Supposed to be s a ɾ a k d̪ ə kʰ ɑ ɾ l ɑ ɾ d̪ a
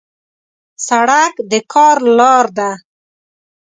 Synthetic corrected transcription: s a ɽ a k d̪ ə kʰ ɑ ɾ l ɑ ɾ d̪ a

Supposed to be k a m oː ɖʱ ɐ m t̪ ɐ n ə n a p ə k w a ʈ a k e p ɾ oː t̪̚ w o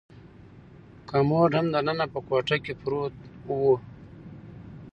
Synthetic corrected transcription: k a m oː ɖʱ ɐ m d̪ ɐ n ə n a p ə k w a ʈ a k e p ɾ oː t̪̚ w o

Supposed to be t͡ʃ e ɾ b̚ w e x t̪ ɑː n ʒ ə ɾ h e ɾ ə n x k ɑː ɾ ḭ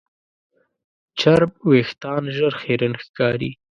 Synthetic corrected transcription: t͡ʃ a ɾ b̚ w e x t̪ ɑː n ʒ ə ɾ x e ɾ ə n x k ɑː ɾ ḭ

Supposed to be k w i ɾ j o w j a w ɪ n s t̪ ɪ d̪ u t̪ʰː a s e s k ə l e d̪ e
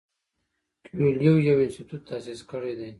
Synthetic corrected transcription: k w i l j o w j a w ɪ n s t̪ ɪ t̪ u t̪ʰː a s i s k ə ɽ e d̪ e

